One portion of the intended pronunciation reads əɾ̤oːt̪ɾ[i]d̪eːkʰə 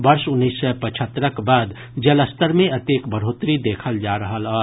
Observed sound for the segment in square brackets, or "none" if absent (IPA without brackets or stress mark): i